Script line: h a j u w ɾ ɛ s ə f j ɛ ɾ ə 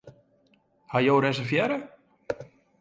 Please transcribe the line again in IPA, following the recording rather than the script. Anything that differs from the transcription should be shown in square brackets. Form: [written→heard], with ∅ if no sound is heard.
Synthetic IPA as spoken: h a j [u→o] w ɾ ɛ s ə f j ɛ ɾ ə